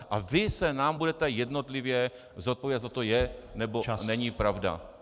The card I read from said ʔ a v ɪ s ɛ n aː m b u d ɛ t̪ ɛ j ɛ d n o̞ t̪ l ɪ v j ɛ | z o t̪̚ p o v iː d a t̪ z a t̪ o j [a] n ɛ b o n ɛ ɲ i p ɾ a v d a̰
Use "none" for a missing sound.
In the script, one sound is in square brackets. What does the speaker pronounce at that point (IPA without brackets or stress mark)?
ɛ